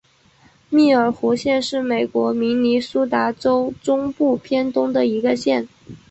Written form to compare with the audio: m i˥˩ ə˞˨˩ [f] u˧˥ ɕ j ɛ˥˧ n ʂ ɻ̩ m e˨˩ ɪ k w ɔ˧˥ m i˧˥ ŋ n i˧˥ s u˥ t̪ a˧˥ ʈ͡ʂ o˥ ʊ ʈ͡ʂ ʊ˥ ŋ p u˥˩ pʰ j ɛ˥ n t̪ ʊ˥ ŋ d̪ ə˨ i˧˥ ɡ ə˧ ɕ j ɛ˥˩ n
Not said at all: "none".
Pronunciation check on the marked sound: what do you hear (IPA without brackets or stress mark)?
x